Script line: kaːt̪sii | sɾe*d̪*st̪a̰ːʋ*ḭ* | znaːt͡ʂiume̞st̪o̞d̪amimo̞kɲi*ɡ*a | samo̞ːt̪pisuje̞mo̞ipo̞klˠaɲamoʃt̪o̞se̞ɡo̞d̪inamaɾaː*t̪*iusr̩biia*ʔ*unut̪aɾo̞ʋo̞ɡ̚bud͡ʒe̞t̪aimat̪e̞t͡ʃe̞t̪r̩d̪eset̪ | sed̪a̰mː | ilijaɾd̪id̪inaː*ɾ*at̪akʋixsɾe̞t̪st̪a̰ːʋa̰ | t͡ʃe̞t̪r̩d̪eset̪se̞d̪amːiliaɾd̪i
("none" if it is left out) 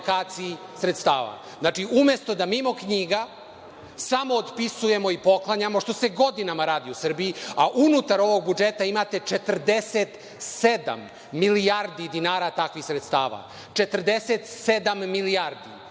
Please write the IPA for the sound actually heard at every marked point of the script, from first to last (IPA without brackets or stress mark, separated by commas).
t̪, a̰, ɡ, d̪, ʔ, ɾ